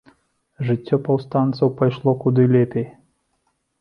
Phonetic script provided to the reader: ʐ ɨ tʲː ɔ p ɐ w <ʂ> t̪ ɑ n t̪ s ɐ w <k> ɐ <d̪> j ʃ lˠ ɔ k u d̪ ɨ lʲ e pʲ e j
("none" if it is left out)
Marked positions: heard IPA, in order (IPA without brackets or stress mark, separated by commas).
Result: s, p, none